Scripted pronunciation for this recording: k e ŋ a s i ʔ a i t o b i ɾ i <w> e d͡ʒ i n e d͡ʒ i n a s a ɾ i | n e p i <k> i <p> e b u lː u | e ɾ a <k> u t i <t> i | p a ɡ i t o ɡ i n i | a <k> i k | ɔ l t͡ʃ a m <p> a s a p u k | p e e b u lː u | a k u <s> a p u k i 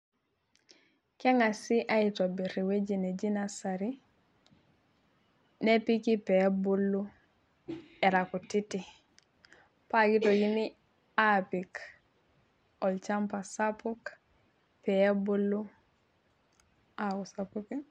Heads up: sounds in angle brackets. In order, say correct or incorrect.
correct, correct, correct, correct, correct, incorrect, correct, correct

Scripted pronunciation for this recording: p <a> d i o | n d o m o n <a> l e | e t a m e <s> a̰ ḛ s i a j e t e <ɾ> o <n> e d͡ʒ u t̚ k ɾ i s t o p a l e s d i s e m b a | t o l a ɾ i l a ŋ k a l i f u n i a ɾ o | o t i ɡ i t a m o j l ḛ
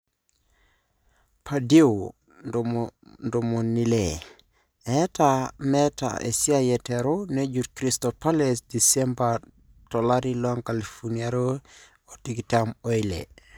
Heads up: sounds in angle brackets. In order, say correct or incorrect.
correct, incorrect, incorrect, correct, correct

